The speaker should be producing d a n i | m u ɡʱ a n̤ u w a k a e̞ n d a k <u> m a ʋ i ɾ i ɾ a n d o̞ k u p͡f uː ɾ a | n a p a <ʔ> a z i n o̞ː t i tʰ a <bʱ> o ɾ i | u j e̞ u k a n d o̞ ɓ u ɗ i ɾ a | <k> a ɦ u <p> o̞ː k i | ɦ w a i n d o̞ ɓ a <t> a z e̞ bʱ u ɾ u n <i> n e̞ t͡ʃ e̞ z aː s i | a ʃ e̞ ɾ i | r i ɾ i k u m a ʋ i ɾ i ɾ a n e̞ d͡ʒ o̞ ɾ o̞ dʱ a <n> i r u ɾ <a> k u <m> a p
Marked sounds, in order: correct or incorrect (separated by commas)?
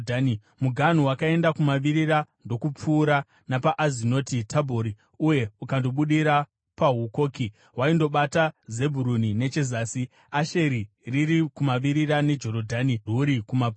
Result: correct, correct, correct, incorrect, incorrect, correct, correct, correct, incorrect, correct